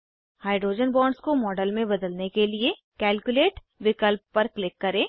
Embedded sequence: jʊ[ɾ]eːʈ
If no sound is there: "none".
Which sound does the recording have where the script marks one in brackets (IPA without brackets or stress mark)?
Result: l